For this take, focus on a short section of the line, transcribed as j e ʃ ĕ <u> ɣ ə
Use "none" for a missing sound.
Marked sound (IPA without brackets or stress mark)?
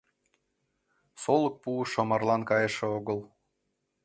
o